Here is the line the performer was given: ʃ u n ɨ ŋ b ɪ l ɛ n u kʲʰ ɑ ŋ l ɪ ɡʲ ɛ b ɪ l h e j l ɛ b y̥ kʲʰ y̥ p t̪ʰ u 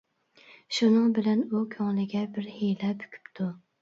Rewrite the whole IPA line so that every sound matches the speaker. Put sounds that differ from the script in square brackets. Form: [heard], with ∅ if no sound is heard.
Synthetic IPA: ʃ u n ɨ ŋ b ɪ l ɛ n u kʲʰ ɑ ŋ l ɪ ɡʲ ɛ b ɪ [ɾ] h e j l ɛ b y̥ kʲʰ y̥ p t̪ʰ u